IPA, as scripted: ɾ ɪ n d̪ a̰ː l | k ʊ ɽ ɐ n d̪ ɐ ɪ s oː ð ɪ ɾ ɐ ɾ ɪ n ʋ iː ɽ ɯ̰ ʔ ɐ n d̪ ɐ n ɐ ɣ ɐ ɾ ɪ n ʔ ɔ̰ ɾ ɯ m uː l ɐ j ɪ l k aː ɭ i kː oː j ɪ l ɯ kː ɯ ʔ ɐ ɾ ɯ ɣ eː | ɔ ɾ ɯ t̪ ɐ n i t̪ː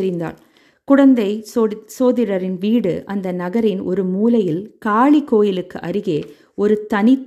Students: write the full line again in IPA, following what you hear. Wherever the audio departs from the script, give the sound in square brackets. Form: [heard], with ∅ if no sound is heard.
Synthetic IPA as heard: ɾ ɪ n d̪ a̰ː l | k ʊ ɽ ɐ n d̪ ɐ ɪ s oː ð ɪ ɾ ɐ ɾ ɪ n ʋ iː ɽ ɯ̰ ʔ ɐ n d̪ ɐ n ɐ ɣ ɐ ɾ ɪ n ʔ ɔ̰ ɾ ɯ m uː l ɐ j ɪ l k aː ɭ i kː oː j ɪ l ɯ kː ɯ ʔ ɐ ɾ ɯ ɣ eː | ɔ ɾ ɯ t̪ ɐ n [ɪ] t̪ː